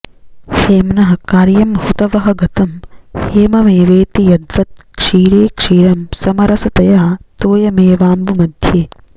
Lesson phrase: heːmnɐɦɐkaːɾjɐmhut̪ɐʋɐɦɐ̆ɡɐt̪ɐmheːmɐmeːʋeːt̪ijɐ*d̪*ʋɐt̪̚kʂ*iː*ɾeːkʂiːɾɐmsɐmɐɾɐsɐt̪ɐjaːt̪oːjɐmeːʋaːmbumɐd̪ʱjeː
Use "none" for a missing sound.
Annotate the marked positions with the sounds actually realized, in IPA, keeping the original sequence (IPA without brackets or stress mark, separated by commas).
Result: d̪, iː